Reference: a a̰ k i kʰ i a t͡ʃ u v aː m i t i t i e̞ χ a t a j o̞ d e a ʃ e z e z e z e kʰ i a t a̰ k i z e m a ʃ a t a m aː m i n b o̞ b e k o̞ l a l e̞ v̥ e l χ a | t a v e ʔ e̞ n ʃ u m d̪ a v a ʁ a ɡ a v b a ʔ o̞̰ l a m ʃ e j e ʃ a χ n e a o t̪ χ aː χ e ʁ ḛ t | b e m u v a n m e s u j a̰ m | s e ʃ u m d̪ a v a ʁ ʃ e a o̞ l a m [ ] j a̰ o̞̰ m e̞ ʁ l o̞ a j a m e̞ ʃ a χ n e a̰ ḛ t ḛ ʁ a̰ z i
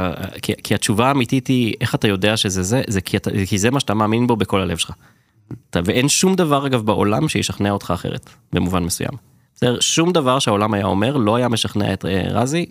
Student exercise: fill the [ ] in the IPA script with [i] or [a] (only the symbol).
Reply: a